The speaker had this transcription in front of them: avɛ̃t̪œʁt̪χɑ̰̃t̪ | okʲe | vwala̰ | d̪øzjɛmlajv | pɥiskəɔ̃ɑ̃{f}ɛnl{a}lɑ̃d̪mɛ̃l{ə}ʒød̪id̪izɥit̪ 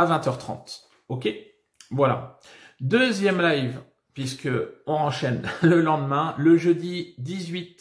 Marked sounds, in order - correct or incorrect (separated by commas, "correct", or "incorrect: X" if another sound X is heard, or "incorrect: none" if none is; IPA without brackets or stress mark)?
incorrect: ʃ, incorrect: ə, correct